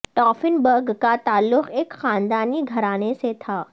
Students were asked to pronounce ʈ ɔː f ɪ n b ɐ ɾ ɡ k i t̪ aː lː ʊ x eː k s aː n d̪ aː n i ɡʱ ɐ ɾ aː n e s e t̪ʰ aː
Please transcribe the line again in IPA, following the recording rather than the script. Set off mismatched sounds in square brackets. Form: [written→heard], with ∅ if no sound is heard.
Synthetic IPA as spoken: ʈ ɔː f ɪ n b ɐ ɾ ɡ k [i→a] t̪ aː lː ʊ x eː k [s→x] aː n d̪ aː n i ɡʱ ɐ ɾ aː n e s e t̪ʰ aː